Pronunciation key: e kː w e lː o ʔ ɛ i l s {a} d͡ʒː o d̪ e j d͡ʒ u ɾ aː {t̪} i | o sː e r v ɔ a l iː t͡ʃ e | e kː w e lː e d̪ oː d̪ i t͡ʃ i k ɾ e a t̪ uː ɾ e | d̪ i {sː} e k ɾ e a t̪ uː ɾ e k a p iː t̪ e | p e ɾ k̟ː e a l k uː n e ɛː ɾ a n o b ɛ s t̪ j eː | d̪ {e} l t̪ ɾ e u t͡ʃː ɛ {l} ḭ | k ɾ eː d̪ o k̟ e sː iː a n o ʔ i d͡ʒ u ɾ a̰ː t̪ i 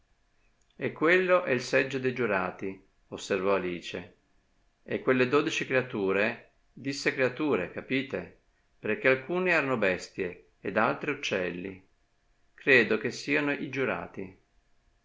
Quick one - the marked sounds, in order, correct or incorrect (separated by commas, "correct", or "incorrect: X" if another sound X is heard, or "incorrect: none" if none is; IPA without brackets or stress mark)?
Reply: incorrect: ɛ, correct, correct, incorrect: a, incorrect: lː